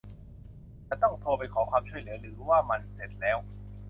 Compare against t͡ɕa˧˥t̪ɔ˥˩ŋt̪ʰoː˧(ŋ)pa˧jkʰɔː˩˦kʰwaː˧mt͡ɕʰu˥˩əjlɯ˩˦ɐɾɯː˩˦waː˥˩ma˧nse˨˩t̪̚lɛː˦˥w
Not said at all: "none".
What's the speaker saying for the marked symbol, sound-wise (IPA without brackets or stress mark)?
none